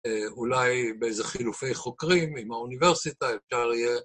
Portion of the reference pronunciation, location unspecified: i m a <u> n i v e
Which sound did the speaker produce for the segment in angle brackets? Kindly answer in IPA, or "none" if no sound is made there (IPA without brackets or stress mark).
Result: u